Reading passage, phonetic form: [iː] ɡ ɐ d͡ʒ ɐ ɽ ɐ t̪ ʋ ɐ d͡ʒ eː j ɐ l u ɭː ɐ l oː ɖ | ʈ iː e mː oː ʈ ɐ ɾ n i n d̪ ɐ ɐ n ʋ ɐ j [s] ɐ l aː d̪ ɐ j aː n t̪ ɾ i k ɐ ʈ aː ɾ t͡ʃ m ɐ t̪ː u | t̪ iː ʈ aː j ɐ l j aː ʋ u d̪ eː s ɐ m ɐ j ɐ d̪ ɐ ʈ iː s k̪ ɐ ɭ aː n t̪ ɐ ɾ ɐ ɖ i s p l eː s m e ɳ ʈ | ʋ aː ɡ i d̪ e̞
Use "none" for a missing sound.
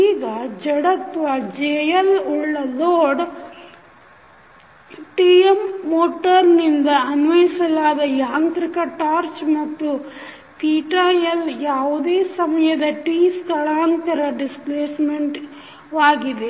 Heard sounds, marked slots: iː, s

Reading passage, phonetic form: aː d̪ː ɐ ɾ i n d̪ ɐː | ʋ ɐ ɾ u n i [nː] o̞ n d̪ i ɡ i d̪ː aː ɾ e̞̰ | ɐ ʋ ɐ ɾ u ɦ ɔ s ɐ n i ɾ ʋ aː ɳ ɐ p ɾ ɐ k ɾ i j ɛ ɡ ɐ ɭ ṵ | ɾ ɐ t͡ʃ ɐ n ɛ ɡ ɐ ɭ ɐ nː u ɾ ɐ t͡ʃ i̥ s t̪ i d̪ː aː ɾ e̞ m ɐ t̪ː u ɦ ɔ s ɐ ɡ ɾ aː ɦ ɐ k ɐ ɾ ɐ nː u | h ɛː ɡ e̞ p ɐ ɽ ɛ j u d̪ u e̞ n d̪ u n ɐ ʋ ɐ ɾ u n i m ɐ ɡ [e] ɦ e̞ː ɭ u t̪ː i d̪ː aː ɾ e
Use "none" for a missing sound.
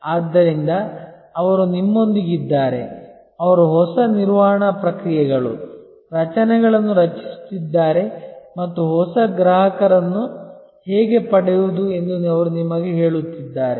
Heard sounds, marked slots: mː, e

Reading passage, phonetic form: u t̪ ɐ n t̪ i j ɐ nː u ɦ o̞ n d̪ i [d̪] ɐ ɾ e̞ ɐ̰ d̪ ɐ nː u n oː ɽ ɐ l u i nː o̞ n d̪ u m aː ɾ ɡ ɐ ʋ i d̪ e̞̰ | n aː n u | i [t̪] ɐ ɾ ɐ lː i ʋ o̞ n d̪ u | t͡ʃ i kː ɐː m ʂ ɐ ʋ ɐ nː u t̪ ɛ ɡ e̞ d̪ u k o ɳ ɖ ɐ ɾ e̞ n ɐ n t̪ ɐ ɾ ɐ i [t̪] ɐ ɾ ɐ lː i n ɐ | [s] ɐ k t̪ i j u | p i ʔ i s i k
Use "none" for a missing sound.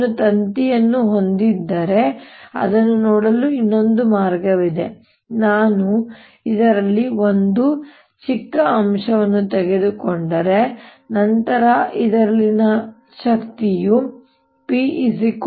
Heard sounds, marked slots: d̪ː, d̪, d̪, ʃ

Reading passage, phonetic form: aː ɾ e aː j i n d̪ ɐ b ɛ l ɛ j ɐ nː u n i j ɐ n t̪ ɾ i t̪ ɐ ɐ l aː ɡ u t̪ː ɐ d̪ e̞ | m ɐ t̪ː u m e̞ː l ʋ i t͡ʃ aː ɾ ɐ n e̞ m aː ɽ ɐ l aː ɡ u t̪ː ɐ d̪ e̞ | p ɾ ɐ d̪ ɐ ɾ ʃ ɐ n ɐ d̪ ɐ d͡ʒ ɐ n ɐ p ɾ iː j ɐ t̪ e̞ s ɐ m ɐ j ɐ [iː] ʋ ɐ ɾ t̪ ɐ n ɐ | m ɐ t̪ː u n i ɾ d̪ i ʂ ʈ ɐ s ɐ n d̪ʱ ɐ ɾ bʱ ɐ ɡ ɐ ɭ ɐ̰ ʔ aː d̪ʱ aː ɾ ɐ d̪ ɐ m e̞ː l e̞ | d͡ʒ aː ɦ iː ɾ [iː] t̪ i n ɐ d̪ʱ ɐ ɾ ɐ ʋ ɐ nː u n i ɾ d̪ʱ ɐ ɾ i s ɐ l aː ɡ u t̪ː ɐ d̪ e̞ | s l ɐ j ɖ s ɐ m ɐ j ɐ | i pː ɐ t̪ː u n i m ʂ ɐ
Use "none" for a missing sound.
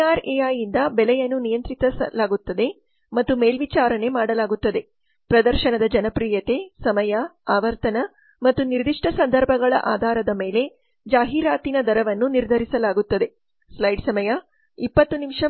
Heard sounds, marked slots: aː, aː

